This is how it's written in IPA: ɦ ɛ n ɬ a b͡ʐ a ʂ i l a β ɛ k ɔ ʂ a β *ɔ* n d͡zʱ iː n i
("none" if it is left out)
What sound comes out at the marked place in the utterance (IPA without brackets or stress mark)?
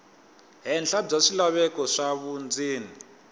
u